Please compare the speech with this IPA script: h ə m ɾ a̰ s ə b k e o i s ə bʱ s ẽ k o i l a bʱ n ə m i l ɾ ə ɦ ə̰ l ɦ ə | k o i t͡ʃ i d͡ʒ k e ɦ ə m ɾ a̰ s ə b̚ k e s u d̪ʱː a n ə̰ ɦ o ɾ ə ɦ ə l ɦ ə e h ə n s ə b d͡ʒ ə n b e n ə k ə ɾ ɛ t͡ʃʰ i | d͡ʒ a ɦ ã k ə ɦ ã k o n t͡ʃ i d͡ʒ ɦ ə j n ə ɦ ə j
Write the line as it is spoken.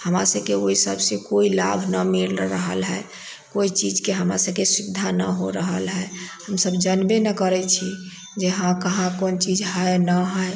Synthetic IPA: h ə m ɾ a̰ s ə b k e o i s ə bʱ s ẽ k o i l a bʱ n ə m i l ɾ ə ɦ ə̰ l ɦ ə | k o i t͡ʃ i d͡ʒ k e ɦ ə m ɾ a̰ s ə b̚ k e s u d̪ʱː a n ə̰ ɦ o ɾ ə ɦ ə l ɦ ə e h ə m s ə b d͡ʒ ə n b e n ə k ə ɾ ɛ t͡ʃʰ i | d͡ʒ e ɦ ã k ə ɦ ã k o n t͡ʃ i d͡ʒ ɦ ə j n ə ɦ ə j